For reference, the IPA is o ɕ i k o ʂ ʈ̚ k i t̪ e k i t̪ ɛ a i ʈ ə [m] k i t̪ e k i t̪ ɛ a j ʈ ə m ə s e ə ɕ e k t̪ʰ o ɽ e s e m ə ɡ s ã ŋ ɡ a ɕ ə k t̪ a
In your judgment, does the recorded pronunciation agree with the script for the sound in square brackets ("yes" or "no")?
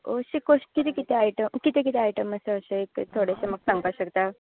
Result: yes